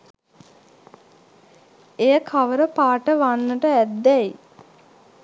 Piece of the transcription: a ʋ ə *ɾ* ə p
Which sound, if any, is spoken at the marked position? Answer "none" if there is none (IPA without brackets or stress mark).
ɾ